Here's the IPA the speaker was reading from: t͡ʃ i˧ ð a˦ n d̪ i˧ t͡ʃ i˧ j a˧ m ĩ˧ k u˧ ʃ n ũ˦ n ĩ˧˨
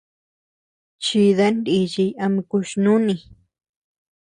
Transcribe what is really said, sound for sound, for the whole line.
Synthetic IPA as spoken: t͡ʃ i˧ ð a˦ n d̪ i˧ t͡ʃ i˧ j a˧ m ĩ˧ k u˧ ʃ n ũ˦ n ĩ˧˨